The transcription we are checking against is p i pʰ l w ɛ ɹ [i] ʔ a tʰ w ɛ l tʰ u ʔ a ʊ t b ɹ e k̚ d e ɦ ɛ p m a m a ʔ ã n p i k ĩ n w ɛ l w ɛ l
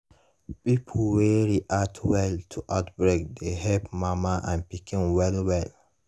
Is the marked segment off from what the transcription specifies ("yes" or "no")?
no